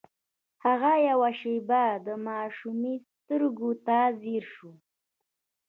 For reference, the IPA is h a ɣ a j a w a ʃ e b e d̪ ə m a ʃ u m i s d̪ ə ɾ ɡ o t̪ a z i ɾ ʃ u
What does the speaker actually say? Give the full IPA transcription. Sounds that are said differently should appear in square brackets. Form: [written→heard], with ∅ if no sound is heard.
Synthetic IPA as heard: h a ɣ a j a w a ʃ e b [e→a] d̪ ə m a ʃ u m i s [d̪→t̪] ə ɾ ɡ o t̪ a z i ɾ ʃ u